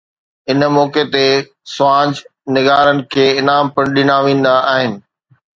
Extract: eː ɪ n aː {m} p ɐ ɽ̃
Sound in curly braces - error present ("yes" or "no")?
no